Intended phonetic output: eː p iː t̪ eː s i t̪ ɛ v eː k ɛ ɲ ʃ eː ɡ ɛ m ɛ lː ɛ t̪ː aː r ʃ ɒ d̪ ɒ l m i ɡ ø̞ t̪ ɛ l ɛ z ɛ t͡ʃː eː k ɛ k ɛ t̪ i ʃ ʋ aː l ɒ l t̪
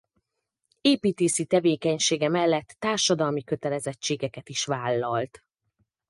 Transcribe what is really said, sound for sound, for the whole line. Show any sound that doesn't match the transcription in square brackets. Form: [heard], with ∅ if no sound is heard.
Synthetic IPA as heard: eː p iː t̪ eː s i t̪ ɛ v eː k ɛ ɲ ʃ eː ɡ ɛ m ɛ lː ɛ t̪ː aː r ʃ ɒ d̪ ɒ l m i [k] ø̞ t̪ ɛ l ɛ z ɛ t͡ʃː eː [ɡ] ɛ k ɛ t̪ i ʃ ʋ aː [lː] ɒ l t̪